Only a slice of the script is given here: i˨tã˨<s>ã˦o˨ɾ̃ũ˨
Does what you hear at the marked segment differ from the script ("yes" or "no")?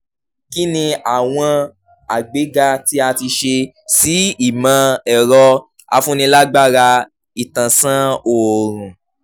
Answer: no